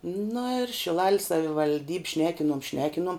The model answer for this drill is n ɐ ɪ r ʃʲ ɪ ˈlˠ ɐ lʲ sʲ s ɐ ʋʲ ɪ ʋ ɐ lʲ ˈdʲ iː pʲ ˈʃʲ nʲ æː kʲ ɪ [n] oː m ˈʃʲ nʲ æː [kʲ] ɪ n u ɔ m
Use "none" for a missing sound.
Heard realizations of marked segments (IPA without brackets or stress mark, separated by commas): n, kʲ